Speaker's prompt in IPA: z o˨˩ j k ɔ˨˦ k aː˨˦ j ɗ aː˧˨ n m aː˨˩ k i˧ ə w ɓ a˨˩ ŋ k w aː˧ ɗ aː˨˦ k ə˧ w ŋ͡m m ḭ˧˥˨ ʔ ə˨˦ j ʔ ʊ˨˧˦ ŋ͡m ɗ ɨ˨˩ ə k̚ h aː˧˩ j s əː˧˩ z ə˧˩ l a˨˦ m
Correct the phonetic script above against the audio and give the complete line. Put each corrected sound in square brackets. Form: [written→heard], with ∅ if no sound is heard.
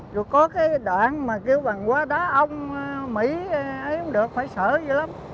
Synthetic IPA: z o˨˩ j k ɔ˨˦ k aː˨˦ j ɗ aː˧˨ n m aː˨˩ k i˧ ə w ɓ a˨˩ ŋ k w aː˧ ɗ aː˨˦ [k→ʔ] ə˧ w ŋ͡m m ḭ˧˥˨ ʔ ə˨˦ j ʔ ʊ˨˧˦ ŋ͡m ɗ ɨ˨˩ ə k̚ [h→f] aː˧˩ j s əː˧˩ z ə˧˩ l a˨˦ m